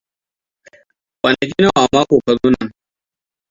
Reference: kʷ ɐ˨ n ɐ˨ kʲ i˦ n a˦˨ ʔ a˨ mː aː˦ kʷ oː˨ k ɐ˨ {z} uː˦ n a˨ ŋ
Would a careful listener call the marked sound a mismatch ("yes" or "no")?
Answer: no